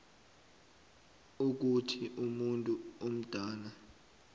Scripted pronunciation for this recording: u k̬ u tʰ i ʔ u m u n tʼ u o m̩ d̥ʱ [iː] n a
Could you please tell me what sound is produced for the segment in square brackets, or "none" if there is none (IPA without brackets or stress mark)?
aː